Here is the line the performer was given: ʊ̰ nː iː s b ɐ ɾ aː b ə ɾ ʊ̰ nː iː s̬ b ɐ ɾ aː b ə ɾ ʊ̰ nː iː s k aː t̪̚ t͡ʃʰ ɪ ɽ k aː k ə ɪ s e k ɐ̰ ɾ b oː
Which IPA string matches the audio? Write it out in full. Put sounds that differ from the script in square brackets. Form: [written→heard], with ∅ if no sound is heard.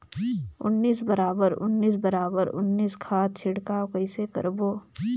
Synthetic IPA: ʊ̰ nː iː s b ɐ ɾ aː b ə ɾ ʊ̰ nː iː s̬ b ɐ ɾ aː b ə ɾ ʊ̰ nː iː s [k→kʰ] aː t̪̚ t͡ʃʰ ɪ ɽ k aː k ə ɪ s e k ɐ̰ ɾ b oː